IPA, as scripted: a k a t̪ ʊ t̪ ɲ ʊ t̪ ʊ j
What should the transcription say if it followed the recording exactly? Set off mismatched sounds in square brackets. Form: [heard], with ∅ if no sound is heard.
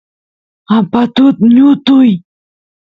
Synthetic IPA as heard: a [p] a t̪ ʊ t̪ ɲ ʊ t̪ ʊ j

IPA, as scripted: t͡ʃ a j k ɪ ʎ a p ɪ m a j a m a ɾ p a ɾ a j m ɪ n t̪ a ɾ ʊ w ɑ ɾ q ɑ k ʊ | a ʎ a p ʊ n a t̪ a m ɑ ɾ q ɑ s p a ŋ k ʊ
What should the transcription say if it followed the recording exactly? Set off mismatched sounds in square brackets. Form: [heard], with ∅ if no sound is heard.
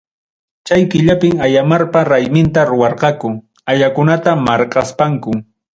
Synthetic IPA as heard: t͡ʃ a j k ɪ ʎ a p ɪ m a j a m a ɾ p a ɾ a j m ɪ n t̪ a ɾ ʊ w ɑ ɾ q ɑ k ʊ | a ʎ a [k] ʊ n a t̪ a m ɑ ɾ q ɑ s p a ŋ k ʊ

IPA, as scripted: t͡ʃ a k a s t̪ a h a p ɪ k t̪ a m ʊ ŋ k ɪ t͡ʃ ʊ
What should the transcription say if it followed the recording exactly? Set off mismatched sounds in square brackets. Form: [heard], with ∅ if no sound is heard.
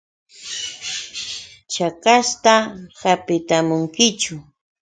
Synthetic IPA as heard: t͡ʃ a k a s t̪ a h a p ɪ [∅] t̪ a m ʊ ŋ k ɪ t͡ʃ ʊ

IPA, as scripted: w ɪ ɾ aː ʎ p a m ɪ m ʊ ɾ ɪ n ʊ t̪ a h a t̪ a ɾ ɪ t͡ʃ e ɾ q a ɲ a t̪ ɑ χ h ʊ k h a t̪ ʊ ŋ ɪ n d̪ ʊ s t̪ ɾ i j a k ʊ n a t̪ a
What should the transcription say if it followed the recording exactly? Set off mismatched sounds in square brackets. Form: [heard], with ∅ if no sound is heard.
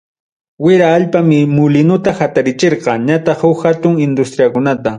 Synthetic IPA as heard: w ɪ ɾ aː ʎ p a m ɪ m ʊ [l] ɪ n ʊ t̪ a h a t̪ a ɾ ɪ t͡ʃ e ɾ q [ɑ] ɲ a t̪ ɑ χ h ʊ k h a t̪ ʊ ŋ ɪ n d̪ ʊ s t̪ ɾ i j a k ʊ n a t̪ a

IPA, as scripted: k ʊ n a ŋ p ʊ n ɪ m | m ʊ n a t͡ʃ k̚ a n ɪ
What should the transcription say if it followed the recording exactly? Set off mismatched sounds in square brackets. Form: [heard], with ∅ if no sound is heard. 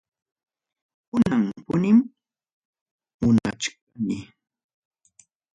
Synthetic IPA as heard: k ʊ n a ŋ p ʊ n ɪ m | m ʊ n a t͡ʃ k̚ a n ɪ

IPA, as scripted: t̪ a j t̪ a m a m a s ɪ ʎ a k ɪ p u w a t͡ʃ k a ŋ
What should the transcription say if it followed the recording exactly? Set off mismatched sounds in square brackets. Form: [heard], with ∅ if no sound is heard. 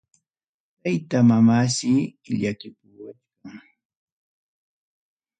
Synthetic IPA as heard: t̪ a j t̪ a m a m a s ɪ ʎ a k ɪ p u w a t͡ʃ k a ŋ

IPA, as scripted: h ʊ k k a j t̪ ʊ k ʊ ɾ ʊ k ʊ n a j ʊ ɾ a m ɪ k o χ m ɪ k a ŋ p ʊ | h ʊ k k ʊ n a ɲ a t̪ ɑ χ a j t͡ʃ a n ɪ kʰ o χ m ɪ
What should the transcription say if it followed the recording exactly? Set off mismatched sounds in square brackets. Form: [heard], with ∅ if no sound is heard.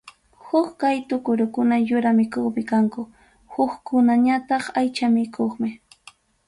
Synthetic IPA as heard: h ʊ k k a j t̪ ʊ k ʊ ɾ ʊ k ʊ n a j ʊ ɾ a m ɪ k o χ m ɪ k a ŋ [k] ʊ | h ʊ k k ʊ n a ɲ a t̪ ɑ χ a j t͡ʃ a [m] ɪ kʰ o χ m ɪ

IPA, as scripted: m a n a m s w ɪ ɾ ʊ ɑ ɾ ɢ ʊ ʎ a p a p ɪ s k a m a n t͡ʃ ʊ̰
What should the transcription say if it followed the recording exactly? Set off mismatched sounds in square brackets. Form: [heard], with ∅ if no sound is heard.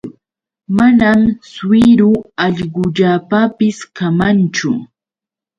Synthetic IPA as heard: m a n a m s w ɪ ɾ ʊ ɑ [ʎ] ɢ ʊ ʎ a p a p ɪ s k a m a n t͡ʃ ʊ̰

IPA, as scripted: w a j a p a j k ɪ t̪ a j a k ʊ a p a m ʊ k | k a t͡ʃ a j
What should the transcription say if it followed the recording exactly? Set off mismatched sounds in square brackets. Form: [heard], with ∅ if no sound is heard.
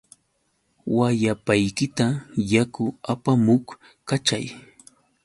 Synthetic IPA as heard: w a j a p a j k ɪ t̪ a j a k ʊ a p a m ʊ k | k a t͡ʃ a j

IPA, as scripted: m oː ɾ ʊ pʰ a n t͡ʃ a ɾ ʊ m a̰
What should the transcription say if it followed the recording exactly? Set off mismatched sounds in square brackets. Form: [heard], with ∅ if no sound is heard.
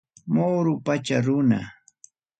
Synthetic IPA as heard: m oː ɾ ʊ [p] a [∅] t͡ʃ a ɾ ʊ [n] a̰

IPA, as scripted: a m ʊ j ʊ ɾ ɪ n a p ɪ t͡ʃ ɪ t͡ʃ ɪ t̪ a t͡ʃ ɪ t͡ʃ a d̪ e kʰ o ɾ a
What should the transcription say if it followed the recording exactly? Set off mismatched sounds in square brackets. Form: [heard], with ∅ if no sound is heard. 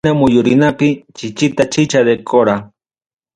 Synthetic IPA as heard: a m ʊ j ʊ ɾ ɪ n a p ɪ t͡ʃ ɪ t͡ʃ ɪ t̪ a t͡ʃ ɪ t͡ʃ a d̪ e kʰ o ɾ a

